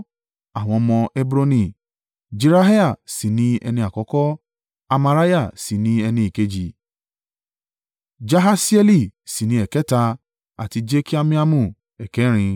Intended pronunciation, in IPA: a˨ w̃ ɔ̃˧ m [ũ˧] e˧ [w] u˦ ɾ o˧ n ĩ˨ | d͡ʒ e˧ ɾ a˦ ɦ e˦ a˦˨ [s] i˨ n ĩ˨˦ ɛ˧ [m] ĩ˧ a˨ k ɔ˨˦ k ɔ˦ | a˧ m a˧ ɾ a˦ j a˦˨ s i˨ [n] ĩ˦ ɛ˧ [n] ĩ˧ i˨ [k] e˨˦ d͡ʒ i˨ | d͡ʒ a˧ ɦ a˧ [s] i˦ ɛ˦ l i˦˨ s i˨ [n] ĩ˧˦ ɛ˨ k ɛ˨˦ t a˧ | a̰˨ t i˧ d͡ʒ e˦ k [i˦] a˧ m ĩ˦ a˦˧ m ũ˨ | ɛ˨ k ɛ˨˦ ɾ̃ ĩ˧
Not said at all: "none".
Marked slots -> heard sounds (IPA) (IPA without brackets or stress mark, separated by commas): ɔ̃˧, b, s, n, n, n, k, s, n, i˦